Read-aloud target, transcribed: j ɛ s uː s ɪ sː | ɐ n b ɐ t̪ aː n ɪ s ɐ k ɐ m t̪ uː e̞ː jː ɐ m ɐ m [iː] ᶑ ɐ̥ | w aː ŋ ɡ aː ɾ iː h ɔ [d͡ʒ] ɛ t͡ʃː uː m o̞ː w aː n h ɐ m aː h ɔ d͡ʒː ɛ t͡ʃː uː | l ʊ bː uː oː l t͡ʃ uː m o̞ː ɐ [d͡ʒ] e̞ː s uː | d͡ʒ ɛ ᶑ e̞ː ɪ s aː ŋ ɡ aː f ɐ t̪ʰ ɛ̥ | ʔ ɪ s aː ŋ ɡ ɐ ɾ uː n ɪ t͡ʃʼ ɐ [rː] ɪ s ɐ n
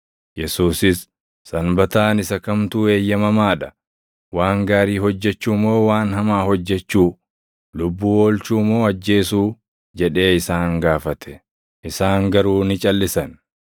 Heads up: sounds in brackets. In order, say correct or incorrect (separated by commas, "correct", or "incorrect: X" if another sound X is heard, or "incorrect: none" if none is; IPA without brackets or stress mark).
incorrect: aː, incorrect: d͡ʒː, incorrect: d͡ʒː, incorrect: lː